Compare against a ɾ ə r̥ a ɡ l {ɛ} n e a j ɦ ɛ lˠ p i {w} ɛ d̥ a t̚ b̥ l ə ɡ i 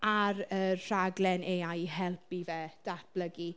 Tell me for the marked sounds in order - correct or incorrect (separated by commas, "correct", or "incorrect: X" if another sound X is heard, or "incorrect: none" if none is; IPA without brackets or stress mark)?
correct, incorrect: v